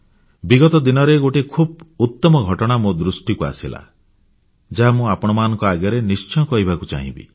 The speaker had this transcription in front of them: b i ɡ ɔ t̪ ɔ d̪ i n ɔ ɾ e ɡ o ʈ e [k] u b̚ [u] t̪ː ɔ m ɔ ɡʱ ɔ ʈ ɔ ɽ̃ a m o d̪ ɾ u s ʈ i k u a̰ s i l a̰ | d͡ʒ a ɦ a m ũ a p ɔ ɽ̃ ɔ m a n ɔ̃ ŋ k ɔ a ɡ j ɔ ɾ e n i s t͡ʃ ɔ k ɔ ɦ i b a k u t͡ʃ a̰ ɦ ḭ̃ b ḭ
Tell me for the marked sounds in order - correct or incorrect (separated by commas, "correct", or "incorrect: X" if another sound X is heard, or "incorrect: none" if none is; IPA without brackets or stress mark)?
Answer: incorrect: kʰ, correct